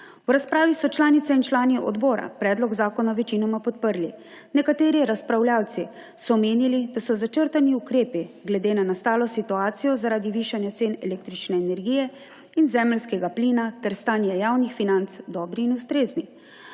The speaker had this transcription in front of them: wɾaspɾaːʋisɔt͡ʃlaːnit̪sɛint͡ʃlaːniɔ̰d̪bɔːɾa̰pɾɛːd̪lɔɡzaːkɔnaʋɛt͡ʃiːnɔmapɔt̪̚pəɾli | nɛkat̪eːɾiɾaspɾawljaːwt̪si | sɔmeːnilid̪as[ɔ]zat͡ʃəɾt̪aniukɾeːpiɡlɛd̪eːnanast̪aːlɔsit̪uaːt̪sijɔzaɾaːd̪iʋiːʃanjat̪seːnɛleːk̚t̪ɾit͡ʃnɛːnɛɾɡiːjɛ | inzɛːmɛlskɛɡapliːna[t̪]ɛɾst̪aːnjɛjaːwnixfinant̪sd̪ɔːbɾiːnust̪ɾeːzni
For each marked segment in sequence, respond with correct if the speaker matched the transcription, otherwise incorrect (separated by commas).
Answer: correct, correct